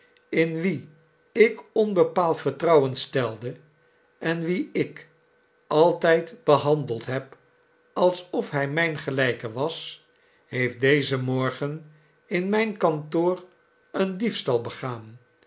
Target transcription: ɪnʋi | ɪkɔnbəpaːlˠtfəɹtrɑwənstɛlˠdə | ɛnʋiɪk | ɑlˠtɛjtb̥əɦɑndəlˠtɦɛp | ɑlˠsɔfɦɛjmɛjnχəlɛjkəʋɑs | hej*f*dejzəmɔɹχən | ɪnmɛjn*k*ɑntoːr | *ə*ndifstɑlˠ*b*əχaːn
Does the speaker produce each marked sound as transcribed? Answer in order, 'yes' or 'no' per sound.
yes, yes, yes, yes

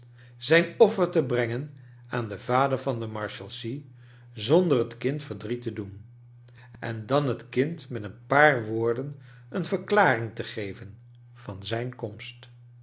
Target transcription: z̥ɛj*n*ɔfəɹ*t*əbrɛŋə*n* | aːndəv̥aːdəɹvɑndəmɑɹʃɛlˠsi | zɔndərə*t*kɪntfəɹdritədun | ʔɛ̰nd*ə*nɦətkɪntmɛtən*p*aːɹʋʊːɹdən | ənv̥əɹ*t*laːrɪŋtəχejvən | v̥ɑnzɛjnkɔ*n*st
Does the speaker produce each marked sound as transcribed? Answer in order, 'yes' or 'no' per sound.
yes, yes, yes, yes, no, yes, no, no

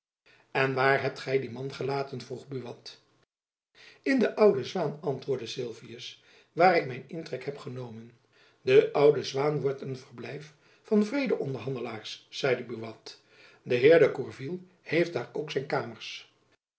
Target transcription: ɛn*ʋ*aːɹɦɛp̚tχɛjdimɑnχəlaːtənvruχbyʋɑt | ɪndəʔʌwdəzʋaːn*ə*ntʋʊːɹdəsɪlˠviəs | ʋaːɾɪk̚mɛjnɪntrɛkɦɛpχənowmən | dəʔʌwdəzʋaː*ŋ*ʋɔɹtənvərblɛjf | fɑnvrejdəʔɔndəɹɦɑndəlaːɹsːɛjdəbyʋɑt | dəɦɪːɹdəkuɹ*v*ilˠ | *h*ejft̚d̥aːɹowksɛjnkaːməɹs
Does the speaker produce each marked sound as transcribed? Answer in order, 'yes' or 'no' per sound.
yes, no, no, yes, yes

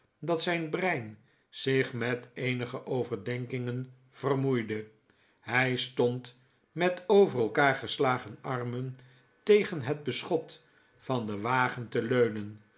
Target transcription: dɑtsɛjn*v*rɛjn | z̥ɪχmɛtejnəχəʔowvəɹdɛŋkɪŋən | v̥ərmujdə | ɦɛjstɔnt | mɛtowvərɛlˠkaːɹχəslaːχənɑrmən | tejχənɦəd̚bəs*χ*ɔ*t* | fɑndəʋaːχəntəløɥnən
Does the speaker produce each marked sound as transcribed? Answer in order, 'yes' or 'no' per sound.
no, yes, yes

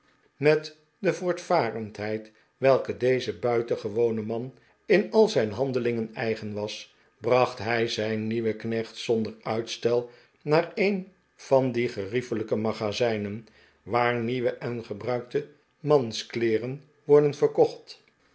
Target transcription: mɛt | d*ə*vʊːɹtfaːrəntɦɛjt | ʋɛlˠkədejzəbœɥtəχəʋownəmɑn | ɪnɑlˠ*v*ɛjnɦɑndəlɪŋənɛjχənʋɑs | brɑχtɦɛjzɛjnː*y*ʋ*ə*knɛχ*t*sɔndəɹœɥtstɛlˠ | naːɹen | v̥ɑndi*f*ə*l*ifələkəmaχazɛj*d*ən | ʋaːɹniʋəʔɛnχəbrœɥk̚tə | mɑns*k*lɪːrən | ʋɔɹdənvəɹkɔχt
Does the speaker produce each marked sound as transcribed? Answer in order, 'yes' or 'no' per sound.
yes, no, no, yes, yes, no, no, no, yes

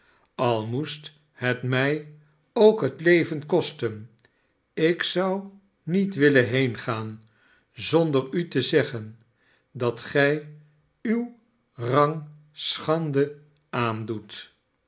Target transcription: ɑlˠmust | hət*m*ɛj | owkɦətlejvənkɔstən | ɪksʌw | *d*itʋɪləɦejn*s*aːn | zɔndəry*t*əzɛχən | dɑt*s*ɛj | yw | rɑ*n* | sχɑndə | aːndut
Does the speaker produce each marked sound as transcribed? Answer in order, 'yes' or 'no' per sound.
yes, no, no, yes, no, no

